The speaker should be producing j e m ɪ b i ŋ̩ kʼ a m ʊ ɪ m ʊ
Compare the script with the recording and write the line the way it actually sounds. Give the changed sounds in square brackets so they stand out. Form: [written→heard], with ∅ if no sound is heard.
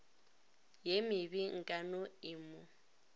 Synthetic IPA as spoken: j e m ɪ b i ŋ̩ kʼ a [m→n] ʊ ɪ m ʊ